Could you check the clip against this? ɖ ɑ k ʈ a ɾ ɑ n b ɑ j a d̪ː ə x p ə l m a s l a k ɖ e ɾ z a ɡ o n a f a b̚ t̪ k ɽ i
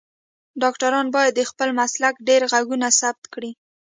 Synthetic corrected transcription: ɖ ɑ k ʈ a ɾ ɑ n b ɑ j a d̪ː ə x p ə l m a s l a k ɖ e ɾ ɣ a ɡ u n a s a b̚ t̪ k ɽ i